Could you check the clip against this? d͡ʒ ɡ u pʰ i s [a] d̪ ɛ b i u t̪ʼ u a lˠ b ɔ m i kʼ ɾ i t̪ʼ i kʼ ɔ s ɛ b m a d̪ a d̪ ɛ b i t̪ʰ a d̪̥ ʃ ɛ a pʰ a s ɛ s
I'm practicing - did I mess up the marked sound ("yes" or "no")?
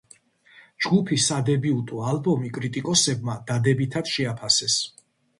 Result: no